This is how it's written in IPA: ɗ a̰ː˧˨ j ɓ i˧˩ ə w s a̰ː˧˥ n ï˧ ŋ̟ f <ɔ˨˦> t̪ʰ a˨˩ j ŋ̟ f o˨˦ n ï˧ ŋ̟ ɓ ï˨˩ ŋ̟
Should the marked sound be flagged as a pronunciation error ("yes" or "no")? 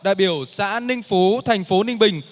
yes